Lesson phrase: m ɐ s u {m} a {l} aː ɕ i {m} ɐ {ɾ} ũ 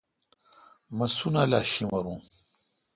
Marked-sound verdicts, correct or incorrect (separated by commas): incorrect, correct, correct, correct